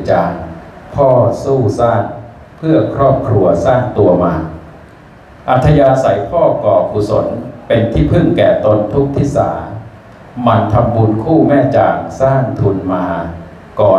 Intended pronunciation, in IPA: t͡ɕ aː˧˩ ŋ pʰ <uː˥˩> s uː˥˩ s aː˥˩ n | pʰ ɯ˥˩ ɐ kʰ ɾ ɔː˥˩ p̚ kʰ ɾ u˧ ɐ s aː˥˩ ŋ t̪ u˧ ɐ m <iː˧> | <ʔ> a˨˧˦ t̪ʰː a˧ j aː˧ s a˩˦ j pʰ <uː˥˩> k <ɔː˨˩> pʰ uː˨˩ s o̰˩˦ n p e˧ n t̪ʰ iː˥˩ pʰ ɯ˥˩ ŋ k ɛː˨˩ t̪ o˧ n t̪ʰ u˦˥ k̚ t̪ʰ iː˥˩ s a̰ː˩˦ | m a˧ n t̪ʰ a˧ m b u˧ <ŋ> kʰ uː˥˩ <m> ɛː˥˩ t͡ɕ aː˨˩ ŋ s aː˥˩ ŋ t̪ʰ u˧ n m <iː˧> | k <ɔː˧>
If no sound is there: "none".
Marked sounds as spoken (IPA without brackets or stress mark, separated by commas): ɔː˥˩, aː˧, ʔ, ɔː˥˩, ɔː˨˩, n, m, aː˧, ɔː˨˩